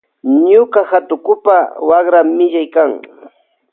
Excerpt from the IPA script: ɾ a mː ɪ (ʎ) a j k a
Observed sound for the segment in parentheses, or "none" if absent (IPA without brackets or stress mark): ʎ